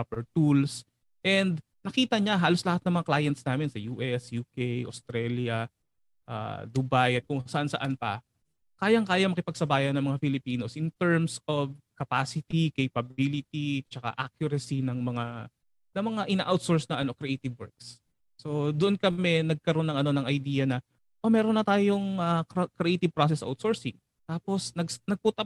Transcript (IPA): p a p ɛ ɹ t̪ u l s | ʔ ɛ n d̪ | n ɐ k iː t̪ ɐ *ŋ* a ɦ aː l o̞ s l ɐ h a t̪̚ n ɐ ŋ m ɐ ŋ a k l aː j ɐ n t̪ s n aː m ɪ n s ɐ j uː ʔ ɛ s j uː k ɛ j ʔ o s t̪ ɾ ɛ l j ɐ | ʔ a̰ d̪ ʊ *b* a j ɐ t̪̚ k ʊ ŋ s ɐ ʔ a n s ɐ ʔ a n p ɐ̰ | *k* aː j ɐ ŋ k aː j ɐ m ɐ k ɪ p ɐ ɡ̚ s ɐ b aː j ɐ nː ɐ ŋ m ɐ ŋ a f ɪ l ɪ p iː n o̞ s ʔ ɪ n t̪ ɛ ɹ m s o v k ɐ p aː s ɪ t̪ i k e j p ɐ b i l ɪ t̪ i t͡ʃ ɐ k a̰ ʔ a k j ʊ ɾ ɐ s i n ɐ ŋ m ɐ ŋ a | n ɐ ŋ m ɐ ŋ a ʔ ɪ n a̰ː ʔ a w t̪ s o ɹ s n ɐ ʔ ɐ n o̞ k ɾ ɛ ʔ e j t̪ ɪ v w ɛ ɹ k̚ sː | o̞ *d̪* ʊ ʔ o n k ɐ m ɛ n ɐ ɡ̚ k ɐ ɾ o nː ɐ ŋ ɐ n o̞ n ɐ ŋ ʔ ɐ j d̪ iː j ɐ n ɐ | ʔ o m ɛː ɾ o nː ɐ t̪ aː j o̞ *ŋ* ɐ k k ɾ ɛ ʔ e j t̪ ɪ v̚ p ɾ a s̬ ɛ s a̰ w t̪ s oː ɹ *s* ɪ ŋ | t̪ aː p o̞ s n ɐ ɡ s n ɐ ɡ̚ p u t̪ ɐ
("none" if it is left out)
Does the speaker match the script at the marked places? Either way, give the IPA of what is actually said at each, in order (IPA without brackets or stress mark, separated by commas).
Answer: ɲ, b, k, d̪, ŋ, s